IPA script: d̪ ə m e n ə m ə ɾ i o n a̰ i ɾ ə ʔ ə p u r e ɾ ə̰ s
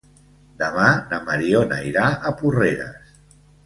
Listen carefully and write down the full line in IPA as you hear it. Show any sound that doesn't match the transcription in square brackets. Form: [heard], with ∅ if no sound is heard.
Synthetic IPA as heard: d̪ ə m [a] n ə m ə ɾ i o n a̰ i ɾ [a] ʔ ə p u r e ɾ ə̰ s